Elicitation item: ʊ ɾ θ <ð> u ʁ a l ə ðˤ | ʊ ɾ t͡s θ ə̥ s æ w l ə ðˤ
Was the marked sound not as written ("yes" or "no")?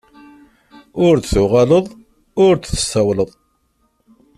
yes